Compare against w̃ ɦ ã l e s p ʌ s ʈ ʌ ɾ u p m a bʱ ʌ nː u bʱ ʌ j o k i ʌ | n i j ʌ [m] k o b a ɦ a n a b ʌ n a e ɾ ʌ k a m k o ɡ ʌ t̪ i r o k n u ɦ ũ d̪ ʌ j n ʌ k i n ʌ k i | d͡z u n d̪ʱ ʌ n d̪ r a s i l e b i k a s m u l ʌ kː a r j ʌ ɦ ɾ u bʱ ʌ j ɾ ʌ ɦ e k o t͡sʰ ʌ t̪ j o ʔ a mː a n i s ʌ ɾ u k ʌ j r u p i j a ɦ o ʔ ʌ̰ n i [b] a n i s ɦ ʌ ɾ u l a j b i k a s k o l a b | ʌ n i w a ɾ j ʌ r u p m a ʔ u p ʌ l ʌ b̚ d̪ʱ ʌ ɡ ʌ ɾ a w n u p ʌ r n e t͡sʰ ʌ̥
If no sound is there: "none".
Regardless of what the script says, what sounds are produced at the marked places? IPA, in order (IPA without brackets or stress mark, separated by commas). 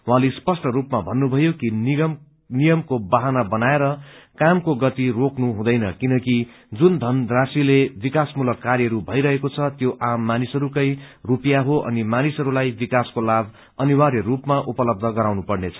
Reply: m, m